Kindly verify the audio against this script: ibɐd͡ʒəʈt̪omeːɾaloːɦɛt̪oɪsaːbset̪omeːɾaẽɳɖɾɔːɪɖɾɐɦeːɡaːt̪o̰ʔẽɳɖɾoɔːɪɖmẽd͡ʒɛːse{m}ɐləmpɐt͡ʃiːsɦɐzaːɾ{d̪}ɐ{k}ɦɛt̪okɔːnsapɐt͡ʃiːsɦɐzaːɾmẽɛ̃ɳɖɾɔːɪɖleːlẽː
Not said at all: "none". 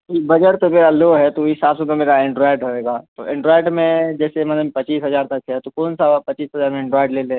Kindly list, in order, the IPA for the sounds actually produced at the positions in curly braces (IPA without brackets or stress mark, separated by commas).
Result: m, t̪, k